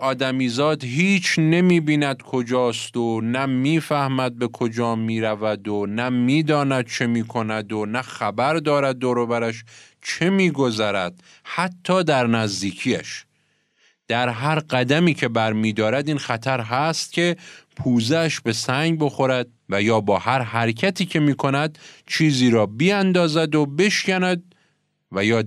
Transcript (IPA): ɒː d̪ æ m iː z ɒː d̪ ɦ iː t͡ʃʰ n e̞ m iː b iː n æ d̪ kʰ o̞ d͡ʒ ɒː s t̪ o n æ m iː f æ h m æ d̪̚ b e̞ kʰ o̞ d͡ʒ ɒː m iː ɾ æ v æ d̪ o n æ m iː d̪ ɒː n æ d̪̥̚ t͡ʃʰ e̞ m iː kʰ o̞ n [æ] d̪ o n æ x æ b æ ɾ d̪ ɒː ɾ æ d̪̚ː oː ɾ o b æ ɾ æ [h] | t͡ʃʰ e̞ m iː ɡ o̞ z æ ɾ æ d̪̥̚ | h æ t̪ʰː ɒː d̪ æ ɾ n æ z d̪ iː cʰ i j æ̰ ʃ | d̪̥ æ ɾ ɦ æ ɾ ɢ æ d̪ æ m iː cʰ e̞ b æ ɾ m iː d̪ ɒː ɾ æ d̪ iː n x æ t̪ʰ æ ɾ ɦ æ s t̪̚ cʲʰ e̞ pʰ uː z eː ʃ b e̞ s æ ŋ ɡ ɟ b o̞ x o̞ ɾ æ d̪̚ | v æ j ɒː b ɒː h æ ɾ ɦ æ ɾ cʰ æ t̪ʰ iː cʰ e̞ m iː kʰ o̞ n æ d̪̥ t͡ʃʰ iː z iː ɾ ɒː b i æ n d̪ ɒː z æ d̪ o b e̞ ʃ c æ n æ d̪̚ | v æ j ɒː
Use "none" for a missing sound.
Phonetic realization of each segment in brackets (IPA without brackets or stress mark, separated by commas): æ, ʃ